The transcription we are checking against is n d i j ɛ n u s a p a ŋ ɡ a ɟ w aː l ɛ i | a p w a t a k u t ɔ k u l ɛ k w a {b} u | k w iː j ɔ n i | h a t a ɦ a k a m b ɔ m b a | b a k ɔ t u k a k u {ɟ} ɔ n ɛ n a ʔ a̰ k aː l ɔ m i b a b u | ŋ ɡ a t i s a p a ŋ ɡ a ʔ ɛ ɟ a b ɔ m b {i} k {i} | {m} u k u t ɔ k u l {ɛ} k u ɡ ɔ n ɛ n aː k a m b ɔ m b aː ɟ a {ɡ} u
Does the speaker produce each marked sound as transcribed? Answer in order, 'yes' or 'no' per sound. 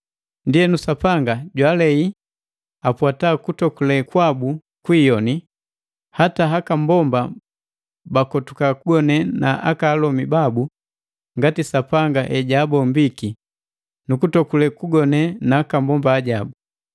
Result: yes, no, yes, yes, no, yes, no

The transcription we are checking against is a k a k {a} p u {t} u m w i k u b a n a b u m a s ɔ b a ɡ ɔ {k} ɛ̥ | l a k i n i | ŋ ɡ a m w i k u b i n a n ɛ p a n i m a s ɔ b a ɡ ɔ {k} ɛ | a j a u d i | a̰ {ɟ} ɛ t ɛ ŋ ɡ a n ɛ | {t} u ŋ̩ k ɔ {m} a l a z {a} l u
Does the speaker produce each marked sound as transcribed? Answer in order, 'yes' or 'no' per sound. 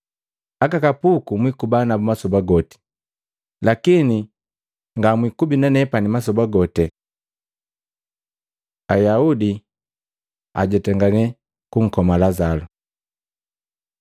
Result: yes, no, no, no, yes, no, yes, yes

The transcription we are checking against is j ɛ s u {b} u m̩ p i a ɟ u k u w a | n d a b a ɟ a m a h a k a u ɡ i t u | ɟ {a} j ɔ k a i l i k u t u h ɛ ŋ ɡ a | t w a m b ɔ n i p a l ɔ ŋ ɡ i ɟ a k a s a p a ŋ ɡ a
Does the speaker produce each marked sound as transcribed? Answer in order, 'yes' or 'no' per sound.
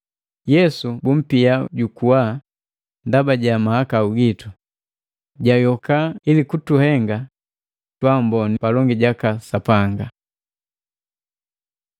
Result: yes, yes

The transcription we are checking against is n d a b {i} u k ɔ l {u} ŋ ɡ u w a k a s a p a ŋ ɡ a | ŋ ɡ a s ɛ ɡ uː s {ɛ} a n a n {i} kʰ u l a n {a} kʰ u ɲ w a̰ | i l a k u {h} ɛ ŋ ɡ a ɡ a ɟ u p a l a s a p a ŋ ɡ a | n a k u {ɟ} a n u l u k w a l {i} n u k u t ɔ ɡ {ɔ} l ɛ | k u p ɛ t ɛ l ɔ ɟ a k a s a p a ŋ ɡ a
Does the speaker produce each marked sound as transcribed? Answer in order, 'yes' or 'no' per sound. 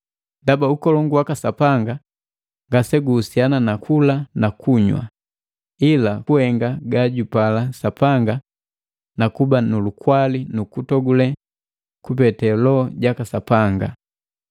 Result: no, no, no, no, yes, yes, no, yes, no

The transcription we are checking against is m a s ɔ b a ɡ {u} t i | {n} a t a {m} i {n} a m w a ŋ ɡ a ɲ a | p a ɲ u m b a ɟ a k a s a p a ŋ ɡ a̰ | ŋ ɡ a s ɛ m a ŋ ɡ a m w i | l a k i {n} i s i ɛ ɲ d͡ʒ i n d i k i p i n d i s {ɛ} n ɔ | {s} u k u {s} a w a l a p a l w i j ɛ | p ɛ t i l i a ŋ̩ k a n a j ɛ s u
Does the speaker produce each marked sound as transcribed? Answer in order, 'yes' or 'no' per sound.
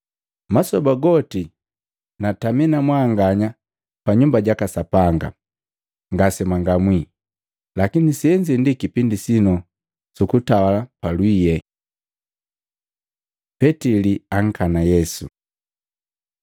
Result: no, yes, yes, yes, yes, no, yes, no

